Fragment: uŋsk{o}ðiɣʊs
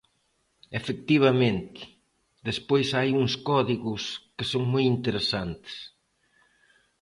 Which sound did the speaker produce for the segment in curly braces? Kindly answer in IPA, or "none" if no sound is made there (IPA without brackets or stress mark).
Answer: ɔ